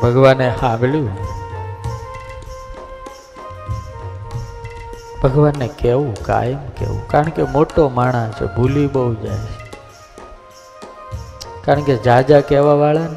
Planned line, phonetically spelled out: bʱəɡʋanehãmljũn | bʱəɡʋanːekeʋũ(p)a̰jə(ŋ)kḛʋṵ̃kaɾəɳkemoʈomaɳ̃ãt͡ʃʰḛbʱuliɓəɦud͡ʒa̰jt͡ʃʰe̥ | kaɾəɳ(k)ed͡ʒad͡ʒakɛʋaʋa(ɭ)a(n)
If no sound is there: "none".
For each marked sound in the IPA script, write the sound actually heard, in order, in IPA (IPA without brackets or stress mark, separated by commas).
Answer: k, m, k, ɭ, n